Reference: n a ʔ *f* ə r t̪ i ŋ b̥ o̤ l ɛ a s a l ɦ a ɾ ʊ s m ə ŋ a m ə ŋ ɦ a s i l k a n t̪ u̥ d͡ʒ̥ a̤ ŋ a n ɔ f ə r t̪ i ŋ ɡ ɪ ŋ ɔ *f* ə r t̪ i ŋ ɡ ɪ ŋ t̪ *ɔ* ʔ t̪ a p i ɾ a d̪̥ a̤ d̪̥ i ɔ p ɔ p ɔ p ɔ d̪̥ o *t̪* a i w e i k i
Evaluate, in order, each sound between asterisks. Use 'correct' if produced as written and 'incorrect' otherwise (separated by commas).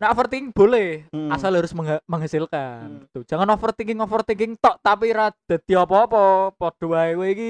correct, correct, correct, incorrect